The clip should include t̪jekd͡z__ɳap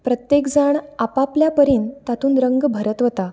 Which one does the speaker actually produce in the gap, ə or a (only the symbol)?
a